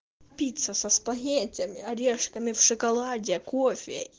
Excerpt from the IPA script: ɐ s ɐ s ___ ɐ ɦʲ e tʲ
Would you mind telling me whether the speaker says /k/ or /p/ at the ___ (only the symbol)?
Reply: p